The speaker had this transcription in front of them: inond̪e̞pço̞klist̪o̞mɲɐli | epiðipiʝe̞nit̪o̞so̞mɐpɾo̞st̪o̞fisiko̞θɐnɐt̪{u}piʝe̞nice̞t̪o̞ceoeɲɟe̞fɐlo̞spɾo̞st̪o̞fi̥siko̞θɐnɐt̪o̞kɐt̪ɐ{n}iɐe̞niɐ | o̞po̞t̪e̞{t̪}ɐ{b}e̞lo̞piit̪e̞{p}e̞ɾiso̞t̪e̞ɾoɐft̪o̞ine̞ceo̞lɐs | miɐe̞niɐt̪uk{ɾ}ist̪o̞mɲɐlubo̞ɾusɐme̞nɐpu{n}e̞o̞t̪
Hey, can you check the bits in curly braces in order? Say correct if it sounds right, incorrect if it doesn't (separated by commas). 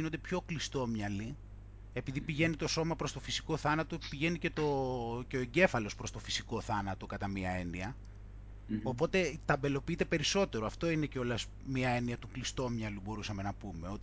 incorrect, incorrect, correct, correct, correct, incorrect, incorrect